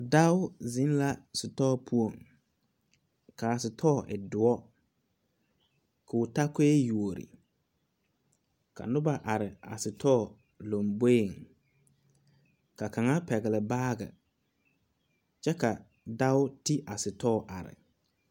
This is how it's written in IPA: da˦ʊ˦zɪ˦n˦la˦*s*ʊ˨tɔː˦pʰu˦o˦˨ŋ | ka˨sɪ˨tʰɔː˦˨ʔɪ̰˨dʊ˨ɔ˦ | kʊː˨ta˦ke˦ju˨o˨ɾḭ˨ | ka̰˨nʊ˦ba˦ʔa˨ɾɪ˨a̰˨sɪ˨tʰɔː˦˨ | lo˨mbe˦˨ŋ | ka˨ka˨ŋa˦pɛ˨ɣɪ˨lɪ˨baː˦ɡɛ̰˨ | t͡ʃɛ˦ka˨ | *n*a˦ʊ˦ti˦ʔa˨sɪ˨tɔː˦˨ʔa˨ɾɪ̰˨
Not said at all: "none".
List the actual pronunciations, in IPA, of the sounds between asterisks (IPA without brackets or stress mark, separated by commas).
s, d